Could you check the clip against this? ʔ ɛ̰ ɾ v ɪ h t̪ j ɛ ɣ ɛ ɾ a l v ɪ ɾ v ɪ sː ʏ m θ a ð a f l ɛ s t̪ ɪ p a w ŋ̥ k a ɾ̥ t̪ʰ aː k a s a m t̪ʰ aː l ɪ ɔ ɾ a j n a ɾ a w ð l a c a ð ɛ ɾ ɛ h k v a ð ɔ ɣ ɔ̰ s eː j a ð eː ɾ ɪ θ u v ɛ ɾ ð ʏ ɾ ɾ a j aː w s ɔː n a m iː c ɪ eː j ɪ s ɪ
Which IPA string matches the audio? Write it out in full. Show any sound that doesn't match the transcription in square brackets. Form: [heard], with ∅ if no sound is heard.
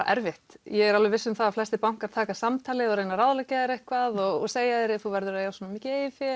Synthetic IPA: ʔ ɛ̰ ɾ v ɪ h t̪ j ɛ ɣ ɛ ɾ a l v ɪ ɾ v ɪ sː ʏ m θ a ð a f l ɛ s t̪ ɪ p a w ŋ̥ k a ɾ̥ t̪ʰ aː k a s a m t̪ʰ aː l ɪ ɔ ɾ [e] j n a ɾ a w ð l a c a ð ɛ ɾ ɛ h k v a ð ɔ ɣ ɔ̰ s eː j a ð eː ɾ ɪ θ u v ɛ ɾ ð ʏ ɾ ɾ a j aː w s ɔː n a m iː c ɪ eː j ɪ [f] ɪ

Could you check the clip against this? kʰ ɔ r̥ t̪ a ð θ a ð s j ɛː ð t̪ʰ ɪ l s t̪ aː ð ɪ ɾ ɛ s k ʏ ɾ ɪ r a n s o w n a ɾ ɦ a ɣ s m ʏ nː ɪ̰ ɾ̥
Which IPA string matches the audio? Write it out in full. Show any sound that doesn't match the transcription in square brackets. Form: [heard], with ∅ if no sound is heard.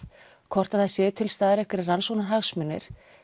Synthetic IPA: kʰ ɔ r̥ t̪ a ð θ a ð s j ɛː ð t̪ʰ ɪ l s t̪ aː ð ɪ ɾ ɛ [h] k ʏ ɾ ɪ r a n s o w n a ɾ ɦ a ɣ s m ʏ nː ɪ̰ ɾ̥

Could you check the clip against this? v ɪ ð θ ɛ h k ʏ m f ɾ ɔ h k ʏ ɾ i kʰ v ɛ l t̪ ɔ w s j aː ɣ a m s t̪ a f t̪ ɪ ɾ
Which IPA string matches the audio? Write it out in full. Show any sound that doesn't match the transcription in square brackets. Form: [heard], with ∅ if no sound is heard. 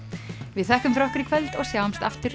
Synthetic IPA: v ɪ ð θ ɛ h k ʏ m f ɾ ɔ h k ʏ ɾ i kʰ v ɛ l t̪ ɔ [ɣ] s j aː [w] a m s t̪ a f t̪ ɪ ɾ

